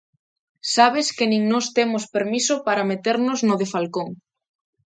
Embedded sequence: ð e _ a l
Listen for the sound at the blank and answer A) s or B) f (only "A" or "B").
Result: B